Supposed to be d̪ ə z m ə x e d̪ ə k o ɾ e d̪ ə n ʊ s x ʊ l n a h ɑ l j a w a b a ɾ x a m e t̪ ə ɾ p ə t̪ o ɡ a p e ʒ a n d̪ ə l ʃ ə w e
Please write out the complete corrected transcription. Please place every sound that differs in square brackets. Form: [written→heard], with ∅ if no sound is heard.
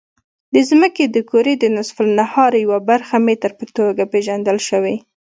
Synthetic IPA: d̪ ə z m ə [x→k] e d̪ ə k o ɾ e d̪ ə n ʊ s [x→f] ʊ l n a h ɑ [l→ɾ] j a w a b a ɾ x a m e t̪ ə ɾ p ə t̪ o ɡ a p e ʒ a n d̪ ə l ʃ ə w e